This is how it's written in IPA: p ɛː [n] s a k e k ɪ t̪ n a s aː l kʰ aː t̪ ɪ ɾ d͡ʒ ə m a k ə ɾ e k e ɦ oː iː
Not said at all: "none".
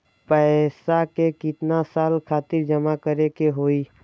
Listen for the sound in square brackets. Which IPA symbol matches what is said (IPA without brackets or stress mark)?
none